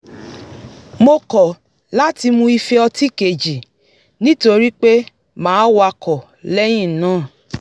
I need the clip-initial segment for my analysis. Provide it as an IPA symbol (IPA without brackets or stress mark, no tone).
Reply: m